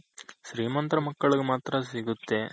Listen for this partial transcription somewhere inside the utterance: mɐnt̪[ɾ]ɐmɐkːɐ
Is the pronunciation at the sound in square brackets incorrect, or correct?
correct